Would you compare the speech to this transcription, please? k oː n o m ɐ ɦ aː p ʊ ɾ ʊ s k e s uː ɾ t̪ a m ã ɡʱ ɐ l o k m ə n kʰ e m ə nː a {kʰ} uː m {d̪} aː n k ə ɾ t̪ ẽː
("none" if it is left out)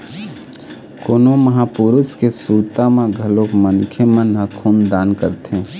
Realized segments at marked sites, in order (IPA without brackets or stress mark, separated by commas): kʰ, d̪